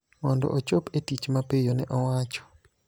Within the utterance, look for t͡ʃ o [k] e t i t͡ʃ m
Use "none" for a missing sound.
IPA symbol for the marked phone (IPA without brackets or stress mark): p